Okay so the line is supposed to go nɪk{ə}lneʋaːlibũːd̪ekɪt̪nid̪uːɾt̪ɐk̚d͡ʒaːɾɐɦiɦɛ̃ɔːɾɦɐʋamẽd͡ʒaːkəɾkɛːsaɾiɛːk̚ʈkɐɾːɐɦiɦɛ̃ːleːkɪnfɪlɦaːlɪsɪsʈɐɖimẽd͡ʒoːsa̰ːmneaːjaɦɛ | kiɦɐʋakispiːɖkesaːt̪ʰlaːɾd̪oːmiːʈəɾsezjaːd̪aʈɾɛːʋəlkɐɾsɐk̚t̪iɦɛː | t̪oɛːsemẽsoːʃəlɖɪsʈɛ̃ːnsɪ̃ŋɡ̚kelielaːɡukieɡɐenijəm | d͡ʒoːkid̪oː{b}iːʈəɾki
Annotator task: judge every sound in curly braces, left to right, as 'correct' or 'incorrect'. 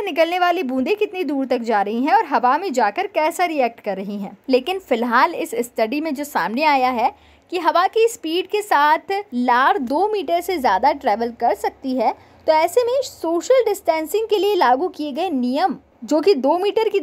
correct, incorrect

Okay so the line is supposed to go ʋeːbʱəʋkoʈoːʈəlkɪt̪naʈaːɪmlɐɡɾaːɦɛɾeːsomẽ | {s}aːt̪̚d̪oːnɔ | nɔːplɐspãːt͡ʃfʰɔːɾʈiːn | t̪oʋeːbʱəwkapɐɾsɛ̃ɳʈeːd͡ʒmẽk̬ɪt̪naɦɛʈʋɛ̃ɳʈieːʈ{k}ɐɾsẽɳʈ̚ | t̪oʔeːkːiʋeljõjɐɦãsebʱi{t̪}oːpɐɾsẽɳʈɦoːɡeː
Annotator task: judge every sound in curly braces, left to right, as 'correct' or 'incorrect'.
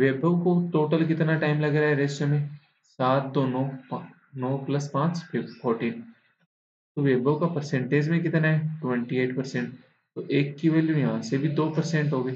correct, incorrect, incorrect

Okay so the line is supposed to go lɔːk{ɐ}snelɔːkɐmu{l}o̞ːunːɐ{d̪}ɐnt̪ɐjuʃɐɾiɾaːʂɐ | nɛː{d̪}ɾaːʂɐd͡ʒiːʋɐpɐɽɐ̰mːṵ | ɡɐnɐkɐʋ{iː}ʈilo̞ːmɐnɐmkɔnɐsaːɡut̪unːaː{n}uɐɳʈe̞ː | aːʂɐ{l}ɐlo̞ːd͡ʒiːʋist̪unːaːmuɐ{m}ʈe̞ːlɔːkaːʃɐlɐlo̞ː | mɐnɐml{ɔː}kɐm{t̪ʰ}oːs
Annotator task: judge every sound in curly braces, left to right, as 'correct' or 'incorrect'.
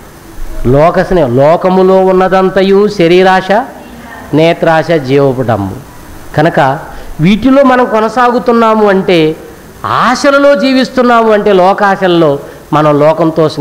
correct, correct, correct, incorrect, correct, incorrect, correct, incorrect, correct, incorrect

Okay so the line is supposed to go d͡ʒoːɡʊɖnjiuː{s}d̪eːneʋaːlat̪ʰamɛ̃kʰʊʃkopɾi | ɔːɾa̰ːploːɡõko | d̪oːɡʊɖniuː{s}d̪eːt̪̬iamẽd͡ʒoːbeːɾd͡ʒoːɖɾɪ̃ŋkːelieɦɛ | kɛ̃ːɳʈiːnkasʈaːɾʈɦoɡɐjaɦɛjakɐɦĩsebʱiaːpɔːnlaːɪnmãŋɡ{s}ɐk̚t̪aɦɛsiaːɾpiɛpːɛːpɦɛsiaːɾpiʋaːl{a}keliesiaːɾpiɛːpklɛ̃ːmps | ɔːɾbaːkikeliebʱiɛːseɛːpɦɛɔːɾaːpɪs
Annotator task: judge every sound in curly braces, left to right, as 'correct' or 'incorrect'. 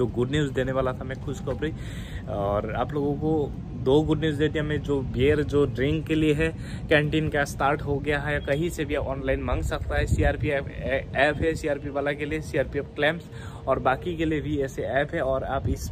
incorrect, incorrect, correct, correct

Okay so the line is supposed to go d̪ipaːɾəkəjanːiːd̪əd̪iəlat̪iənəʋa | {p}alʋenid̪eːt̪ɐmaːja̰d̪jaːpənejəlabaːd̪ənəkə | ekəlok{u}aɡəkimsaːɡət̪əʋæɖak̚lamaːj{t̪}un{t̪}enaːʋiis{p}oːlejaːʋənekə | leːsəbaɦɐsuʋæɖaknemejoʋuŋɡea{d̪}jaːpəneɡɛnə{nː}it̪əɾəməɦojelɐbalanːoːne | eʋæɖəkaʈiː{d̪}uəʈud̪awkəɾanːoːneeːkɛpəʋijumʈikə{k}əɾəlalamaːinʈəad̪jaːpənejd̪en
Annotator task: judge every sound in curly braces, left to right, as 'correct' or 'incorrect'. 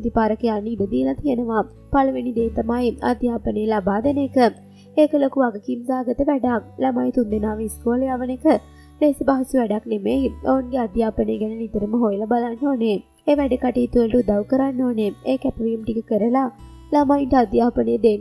correct, correct, correct, incorrect, incorrect, correct, incorrect, incorrect, correct

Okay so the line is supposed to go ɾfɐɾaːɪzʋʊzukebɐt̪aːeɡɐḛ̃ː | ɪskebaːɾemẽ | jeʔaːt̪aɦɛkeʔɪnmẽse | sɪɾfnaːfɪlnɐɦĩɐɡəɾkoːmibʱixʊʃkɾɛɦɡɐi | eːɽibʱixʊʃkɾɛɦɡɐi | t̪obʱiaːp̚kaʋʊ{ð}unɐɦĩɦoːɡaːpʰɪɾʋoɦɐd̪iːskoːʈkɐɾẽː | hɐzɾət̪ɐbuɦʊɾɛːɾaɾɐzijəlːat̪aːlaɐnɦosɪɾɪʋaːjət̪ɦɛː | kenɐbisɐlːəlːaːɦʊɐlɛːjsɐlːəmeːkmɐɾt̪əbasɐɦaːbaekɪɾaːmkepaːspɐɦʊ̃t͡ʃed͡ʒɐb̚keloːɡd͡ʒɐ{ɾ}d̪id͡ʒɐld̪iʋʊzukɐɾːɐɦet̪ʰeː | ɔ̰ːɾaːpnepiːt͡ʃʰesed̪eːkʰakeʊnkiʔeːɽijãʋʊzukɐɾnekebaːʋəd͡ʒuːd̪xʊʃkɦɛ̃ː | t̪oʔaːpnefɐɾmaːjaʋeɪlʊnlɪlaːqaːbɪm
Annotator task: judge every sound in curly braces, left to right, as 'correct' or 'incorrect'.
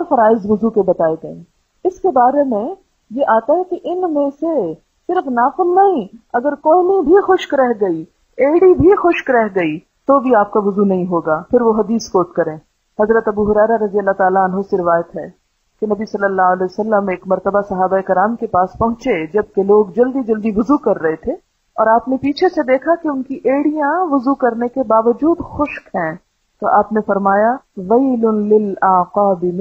incorrect, incorrect

